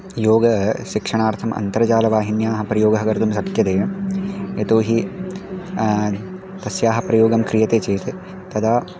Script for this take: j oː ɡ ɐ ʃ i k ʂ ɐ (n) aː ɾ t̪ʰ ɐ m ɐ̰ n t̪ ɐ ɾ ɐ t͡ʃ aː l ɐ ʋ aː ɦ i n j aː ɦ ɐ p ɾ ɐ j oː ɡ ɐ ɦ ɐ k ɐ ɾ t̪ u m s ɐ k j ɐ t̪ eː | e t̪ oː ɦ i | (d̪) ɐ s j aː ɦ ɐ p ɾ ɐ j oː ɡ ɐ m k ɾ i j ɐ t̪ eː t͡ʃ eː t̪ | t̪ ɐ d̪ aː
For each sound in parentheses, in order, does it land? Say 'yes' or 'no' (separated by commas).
no, no